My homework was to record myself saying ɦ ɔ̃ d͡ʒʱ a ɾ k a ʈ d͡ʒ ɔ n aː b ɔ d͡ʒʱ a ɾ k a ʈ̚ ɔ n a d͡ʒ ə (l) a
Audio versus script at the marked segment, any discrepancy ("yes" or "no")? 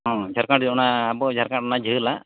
no